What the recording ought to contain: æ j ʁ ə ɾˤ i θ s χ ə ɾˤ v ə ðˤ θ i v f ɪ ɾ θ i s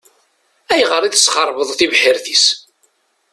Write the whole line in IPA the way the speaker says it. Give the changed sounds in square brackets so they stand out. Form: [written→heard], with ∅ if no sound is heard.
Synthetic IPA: æ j ʁ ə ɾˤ i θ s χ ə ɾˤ v ə ðˤ θ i v [f→ħ] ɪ ɾ θ i s